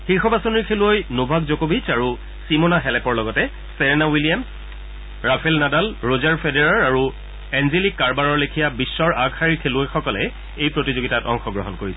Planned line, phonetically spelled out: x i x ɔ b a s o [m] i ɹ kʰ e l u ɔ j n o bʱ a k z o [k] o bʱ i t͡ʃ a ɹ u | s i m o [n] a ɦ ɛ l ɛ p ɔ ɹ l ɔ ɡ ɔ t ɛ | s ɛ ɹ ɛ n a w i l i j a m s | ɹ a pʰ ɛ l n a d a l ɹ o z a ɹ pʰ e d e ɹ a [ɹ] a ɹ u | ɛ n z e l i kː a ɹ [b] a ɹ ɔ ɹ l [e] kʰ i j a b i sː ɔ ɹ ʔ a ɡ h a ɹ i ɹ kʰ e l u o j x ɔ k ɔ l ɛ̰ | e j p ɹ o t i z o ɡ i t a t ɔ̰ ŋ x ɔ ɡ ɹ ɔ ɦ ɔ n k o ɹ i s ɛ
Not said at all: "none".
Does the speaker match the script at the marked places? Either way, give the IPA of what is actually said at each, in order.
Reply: n, k, n, ɹ, b, e

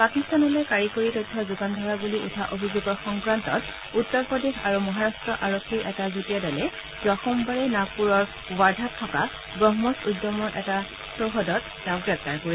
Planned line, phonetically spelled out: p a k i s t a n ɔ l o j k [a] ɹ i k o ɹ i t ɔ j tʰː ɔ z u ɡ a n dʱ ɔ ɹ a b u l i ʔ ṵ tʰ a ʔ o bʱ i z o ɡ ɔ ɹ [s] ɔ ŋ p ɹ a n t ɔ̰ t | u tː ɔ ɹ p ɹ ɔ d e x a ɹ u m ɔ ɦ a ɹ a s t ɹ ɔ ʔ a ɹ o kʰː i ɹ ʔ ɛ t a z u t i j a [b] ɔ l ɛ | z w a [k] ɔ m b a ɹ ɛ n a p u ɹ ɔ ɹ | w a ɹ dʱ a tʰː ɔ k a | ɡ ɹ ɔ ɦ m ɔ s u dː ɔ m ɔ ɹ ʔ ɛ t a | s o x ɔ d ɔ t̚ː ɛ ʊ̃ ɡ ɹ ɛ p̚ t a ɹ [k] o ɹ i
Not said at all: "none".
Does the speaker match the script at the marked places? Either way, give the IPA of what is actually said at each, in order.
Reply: a, x, d, x, k

